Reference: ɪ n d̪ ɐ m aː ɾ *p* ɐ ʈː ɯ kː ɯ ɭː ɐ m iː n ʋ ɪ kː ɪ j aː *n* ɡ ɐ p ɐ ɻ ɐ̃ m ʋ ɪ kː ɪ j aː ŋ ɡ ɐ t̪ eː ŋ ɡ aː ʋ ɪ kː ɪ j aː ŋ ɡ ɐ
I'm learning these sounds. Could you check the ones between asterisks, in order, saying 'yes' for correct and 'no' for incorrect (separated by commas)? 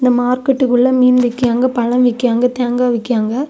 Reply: no, no